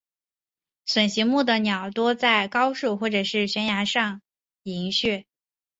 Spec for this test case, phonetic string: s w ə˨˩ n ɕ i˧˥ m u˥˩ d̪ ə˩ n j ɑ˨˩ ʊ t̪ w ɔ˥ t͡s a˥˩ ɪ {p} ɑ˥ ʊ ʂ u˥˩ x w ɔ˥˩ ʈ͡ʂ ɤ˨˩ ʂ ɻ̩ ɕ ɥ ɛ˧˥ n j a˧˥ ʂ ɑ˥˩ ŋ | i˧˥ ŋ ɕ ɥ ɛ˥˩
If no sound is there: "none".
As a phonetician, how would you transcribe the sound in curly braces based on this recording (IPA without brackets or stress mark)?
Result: k